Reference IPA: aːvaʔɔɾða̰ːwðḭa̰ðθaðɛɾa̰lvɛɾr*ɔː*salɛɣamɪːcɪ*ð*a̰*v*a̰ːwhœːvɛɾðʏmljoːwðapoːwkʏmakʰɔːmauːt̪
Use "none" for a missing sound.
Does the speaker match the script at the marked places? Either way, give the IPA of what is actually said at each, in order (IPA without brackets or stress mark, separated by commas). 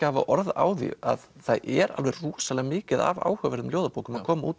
uː, ð, v